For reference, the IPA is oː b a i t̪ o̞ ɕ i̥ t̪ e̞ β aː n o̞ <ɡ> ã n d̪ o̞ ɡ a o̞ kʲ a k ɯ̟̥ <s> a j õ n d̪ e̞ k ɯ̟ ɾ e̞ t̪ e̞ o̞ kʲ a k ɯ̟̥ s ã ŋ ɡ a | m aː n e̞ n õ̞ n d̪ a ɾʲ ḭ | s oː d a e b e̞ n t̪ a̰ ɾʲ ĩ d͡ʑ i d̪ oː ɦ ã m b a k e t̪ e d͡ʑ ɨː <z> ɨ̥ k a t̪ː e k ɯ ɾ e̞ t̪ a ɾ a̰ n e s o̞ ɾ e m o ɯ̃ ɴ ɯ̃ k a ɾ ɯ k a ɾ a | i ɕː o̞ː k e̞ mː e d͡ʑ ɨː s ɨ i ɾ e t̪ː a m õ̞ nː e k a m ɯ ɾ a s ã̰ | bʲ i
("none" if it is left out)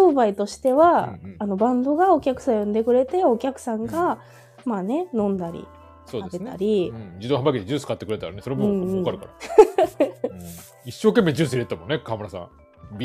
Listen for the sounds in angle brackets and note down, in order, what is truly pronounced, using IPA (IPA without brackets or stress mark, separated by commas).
b, s, s